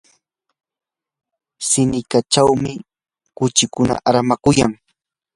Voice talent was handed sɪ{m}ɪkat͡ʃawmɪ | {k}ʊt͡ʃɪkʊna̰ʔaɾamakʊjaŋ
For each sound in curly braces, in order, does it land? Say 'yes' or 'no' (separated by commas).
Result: no, yes